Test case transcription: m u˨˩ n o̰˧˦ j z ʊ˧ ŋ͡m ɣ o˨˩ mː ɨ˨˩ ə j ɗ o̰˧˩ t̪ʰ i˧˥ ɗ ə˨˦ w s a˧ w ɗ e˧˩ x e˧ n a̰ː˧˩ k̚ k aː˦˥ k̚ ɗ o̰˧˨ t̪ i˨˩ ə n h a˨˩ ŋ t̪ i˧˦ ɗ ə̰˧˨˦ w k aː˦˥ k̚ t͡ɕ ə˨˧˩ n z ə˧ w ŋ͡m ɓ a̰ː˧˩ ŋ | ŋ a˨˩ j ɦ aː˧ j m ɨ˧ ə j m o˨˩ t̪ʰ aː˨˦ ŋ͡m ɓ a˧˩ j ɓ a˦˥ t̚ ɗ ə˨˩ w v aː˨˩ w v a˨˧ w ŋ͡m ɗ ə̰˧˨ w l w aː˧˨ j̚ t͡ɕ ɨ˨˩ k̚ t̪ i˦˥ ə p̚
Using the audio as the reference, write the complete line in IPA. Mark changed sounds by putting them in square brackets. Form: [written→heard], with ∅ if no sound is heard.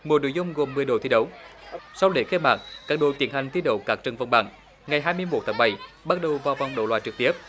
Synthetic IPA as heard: m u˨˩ n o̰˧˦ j z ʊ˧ ŋ͡m ɣ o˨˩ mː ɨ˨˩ ə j ɗ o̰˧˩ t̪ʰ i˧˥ ɗ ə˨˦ w s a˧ w ɗ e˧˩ x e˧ [n→m] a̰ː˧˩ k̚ k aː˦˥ k̚ ɗ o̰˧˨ t̪ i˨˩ ə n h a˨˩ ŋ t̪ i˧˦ ɗ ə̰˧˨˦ w k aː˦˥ k̚ t͡ɕ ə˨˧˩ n [z→v] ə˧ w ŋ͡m ɓ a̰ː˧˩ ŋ | ŋ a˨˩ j ɦ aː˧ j m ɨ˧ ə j m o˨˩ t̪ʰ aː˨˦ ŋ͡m ɓ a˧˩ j ɓ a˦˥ t̚ ɗ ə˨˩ w v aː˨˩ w v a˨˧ w ŋ͡m ɗ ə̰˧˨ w l w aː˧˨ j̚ t͡ɕ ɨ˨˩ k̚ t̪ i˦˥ ə p̚